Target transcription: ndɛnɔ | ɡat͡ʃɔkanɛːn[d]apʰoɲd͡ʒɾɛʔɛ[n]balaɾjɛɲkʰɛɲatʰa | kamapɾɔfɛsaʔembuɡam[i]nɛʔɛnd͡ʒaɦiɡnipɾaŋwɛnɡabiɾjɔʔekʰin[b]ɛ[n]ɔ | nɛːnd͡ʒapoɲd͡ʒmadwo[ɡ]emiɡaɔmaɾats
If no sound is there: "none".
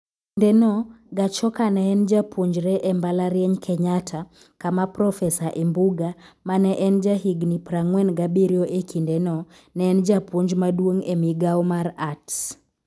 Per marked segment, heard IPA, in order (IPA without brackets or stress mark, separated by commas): d͡ʒ, m, a, d, n, ŋ